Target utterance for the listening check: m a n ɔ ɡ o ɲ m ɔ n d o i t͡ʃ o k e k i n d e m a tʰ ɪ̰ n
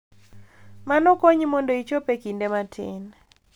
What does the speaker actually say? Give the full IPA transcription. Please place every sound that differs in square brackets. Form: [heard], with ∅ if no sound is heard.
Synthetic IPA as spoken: m a n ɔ [k] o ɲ m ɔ n d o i t͡ʃ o [p] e k i n d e m a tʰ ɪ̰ n